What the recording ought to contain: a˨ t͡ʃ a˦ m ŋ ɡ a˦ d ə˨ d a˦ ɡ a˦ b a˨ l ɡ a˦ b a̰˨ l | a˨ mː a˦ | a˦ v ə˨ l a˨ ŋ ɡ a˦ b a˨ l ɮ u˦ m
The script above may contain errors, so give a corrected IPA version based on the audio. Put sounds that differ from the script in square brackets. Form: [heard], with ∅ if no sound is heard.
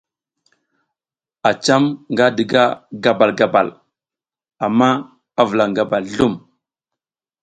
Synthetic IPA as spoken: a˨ t͡ʃ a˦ m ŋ ɡ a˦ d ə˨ [ɡ] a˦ ɡ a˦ b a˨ l ɡ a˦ b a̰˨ l | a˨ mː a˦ | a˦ v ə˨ l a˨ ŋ ɡ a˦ b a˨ l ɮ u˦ m